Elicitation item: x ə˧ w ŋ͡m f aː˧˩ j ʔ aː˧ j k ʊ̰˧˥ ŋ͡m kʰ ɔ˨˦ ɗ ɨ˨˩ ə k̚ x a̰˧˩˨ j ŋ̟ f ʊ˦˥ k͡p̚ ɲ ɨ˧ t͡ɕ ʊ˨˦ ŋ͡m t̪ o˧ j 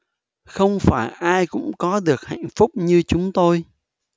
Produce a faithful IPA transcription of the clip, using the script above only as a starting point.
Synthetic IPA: x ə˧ w ŋ͡m f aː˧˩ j ʔ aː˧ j k ʊ̰˧˥ ŋ͡m k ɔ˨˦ ɗ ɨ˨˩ ə k̚ h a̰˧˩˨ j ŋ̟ f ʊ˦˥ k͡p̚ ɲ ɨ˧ t͡ɕ ʊ˨˦ ŋ͡m t̪ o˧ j